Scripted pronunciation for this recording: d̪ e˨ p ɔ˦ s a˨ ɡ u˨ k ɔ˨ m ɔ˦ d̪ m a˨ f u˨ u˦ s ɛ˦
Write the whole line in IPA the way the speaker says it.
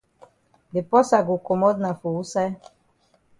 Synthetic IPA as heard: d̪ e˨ p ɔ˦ s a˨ ɡ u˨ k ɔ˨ m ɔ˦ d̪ n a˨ f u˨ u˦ s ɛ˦